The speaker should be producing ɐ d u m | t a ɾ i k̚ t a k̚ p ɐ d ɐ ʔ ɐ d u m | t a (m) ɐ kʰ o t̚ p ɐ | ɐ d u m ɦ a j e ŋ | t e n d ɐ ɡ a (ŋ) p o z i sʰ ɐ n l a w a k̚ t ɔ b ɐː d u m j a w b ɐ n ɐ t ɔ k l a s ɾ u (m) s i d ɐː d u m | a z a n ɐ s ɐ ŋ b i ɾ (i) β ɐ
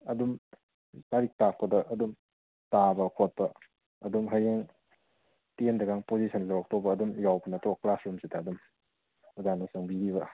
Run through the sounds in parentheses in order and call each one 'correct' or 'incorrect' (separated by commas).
incorrect, correct, correct, correct